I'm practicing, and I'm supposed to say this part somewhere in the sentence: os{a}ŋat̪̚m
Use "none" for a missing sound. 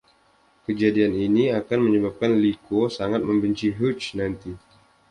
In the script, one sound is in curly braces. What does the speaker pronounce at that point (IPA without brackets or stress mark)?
a